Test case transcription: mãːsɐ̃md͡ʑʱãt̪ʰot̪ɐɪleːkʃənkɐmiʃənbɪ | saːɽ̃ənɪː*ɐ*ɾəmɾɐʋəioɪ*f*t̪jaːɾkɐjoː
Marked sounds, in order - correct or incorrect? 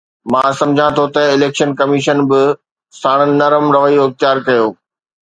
correct, incorrect: x

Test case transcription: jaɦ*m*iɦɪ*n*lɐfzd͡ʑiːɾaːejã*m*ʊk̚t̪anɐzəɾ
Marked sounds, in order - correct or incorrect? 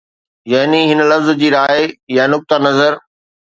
incorrect: n, correct, incorrect: n

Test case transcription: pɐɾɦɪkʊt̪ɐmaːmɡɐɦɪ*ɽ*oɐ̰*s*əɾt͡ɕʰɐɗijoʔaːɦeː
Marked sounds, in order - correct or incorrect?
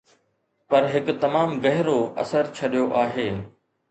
incorrect: ɾ, correct

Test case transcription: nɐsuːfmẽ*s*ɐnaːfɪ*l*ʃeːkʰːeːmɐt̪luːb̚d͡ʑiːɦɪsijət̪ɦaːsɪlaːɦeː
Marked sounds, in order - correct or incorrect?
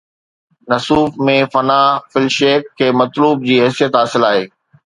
incorrect: f, correct

